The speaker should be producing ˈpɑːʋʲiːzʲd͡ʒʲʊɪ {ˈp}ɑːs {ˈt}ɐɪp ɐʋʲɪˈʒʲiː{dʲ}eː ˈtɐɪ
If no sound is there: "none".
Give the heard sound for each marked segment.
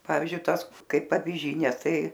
t, k, nʲ

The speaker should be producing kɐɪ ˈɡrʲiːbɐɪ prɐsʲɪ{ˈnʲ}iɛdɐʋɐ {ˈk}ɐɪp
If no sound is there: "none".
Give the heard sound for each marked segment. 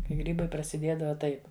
dʲ, t

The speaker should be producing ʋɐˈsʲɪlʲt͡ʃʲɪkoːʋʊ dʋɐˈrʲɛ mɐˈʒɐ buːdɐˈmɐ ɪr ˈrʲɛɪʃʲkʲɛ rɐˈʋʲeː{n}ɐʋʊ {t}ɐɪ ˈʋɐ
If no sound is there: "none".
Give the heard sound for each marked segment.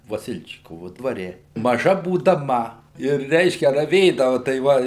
d, t

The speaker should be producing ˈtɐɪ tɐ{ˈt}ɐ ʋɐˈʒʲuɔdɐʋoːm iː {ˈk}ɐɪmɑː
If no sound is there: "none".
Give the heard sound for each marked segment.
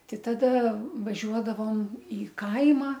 d, k

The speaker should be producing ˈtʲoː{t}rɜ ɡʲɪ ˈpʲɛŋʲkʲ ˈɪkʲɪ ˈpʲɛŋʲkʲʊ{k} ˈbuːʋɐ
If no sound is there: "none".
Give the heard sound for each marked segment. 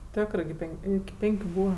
k, none

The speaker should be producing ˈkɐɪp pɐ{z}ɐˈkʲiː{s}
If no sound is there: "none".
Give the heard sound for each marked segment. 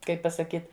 s, t

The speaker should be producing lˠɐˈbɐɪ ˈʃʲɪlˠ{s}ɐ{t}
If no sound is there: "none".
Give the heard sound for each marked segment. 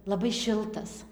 t, s

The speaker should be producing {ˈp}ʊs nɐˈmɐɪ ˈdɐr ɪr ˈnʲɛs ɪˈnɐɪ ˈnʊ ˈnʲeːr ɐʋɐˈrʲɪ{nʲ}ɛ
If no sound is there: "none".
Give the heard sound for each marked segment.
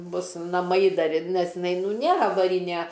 b, nʲ

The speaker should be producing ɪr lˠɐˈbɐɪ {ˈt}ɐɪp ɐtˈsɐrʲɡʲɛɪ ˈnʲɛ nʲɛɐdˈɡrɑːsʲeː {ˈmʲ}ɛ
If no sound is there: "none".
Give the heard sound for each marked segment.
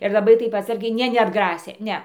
t, nʲ

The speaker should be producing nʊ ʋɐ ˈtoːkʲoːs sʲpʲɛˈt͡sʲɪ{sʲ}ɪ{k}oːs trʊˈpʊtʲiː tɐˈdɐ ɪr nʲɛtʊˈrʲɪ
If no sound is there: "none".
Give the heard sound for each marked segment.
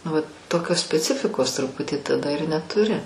fʲ, k

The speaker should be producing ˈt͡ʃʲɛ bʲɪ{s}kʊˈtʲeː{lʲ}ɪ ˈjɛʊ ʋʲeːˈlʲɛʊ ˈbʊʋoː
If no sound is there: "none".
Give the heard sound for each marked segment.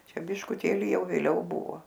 ʃ, lʲ

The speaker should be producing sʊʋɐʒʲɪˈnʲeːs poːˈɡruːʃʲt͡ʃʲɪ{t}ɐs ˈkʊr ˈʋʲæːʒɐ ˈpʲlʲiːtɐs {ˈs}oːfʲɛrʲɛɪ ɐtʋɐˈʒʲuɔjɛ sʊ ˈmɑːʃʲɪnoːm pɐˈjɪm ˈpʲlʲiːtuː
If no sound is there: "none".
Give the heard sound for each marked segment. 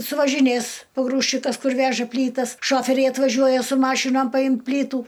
k, ʃ

